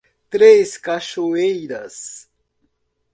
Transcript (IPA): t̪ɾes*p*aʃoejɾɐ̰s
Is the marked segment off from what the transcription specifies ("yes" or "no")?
yes